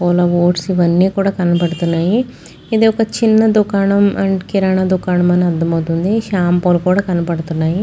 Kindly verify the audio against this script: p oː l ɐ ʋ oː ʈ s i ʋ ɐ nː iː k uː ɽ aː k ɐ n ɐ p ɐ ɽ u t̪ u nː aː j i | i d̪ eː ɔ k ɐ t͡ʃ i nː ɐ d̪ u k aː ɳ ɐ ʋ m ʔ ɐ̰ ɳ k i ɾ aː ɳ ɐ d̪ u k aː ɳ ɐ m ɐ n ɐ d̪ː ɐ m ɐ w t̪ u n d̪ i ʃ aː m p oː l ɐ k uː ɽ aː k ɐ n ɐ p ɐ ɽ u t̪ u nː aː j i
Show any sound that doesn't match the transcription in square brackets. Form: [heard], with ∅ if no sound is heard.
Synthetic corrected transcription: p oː l ɐ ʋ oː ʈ s i ʋ ɐ nː iː k uː ɽ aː k ɐ n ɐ p ɐ ɽ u t̪ u nː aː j i | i d̪ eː ɔ k ɐ t͡ʃ i nː ɐ d̪ u k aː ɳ ɐ [∅] m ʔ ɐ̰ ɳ k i ɾ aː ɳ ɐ d̪ u k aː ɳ ɐ m ɐ n ɐ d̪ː ɐ m ɐ w t̪ u n d̪ i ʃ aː m p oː l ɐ k uː ɽ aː k ɐ n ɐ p ɐ ɽ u t̪ u nː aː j i